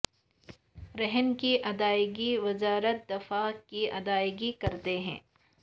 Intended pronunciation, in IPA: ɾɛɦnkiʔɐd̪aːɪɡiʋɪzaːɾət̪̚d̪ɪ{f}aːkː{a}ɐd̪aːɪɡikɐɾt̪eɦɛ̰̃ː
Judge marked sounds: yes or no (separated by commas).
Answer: yes, no